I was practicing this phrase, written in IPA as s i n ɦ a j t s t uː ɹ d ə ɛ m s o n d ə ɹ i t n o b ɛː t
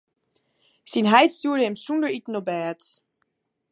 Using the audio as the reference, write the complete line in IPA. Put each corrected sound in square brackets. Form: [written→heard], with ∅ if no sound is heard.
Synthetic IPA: s i n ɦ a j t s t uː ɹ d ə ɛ m s [o→u] n d ə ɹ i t n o b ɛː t